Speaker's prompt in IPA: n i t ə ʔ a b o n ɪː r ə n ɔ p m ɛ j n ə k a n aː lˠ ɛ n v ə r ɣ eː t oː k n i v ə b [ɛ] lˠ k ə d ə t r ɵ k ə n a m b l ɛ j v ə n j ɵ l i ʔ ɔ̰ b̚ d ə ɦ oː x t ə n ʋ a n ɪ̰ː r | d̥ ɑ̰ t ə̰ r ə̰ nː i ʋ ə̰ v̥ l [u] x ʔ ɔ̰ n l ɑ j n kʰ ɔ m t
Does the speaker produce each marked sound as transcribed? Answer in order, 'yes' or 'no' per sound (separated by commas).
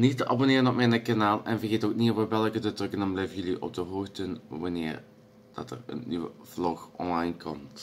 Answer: yes, no